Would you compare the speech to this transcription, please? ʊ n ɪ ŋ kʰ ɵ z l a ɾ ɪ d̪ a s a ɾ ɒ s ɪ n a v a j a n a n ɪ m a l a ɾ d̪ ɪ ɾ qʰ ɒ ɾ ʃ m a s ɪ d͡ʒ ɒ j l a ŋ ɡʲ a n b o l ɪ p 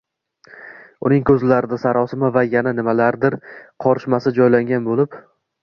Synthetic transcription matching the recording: ʊ n ɪ ŋ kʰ ɵ z l a ɾ ɪ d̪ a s a ɾ ɒ s ɪ m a v a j a n a n ɪ m a l a ɾ d̪ ɪ ɾ qʰ ɒ ɾ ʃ m a s ɪ d͡ʒ ɒ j l a ŋ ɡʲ a n b o l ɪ p